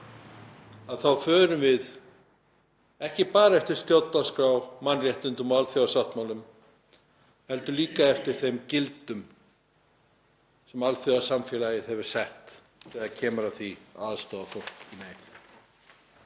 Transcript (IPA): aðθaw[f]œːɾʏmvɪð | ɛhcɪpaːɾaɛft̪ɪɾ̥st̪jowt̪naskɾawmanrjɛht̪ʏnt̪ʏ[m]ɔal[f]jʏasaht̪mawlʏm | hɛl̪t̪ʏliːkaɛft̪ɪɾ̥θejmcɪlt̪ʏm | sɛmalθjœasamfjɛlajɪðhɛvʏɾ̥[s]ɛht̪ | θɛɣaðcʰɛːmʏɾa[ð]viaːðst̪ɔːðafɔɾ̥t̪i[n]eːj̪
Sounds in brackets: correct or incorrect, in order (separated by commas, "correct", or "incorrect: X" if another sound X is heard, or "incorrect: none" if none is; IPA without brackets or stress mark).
correct, correct, incorrect: θ, correct, incorrect: θ, correct